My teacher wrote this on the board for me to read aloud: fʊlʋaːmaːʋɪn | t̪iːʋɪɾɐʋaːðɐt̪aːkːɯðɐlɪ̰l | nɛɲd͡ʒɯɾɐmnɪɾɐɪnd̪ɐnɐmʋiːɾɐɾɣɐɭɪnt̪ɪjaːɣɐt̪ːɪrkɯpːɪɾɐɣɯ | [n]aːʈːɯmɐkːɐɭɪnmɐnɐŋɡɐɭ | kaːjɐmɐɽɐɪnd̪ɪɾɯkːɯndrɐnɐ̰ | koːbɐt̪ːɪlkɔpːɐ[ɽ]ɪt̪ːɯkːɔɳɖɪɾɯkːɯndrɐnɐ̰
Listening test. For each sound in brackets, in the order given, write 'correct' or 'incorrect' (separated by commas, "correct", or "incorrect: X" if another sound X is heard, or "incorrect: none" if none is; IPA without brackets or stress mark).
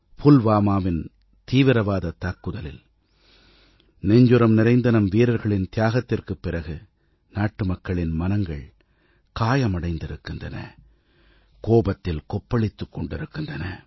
correct, incorrect: ɭ